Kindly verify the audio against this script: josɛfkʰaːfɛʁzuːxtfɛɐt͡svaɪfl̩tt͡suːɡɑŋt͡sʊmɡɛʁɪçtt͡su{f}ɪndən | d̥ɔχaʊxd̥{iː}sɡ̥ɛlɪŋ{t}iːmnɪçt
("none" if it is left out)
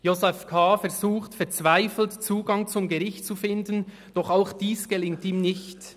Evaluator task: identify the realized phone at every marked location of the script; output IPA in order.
f, iː, t

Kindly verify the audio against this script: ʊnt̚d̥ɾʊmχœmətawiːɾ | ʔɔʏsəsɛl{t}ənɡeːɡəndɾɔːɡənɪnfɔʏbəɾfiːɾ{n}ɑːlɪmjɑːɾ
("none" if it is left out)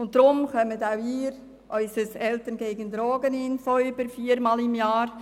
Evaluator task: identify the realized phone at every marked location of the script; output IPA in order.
t, m

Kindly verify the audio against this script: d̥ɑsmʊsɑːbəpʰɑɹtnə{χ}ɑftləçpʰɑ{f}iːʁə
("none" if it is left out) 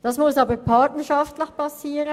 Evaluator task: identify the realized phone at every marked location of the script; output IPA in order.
ʃ, s

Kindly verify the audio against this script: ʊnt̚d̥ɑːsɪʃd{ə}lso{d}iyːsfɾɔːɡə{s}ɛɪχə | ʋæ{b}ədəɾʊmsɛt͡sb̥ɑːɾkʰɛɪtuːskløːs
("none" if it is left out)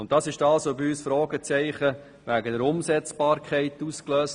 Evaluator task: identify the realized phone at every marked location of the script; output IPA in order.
ɑ, b, t͡s, ɡ

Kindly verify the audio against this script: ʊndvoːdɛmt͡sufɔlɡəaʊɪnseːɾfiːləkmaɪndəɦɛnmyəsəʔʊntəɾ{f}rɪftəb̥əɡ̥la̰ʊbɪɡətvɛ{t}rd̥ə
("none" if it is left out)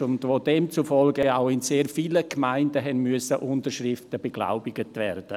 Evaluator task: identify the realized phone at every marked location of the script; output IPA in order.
ʃ, none

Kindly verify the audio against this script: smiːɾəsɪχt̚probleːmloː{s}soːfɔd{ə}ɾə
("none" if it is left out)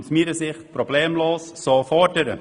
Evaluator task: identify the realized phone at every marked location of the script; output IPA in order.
s, ə

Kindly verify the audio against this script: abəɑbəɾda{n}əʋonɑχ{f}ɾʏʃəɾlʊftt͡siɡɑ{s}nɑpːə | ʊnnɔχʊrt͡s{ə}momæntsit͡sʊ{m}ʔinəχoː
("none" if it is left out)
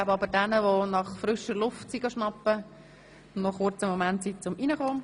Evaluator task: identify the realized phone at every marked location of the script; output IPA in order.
n, f, ʃ, ə, m

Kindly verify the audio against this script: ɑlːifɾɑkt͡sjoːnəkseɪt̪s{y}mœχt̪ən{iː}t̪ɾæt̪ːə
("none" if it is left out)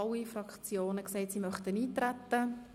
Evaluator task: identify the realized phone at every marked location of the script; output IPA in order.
i, iː

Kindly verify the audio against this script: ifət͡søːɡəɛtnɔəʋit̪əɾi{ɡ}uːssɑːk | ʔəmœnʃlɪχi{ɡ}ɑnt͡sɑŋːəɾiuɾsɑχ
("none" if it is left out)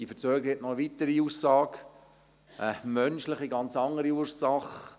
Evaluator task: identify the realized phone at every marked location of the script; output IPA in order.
none, ɡ

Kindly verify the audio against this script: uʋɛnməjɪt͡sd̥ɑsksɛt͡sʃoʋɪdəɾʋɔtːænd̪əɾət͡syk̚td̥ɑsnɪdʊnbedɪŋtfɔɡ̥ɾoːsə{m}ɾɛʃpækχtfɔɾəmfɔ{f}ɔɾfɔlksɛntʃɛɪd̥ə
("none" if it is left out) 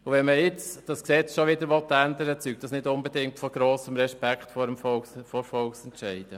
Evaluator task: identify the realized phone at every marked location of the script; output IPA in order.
m, f

